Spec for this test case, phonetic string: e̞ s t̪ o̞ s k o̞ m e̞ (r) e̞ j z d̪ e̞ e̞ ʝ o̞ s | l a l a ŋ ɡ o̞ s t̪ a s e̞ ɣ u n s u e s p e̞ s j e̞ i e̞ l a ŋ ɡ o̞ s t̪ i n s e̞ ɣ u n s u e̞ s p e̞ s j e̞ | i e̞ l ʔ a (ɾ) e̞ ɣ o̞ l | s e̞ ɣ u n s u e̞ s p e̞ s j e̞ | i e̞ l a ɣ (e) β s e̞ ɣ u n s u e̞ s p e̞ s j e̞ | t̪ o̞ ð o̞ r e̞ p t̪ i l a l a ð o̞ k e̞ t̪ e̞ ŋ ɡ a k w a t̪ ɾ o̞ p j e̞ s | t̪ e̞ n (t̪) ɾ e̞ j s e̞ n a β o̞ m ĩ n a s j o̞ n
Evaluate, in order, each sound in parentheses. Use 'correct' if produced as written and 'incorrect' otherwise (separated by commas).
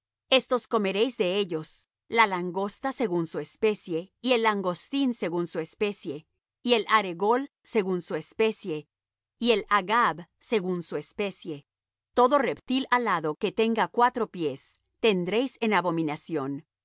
incorrect, correct, incorrect, incorrect